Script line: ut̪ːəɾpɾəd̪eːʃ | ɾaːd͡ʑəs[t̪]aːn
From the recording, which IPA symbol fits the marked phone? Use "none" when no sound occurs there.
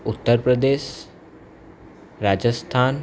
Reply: t̪ʰ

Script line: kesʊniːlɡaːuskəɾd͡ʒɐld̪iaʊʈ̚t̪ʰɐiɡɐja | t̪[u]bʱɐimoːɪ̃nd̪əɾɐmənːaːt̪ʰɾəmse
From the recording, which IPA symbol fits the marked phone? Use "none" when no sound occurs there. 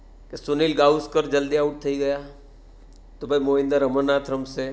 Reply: o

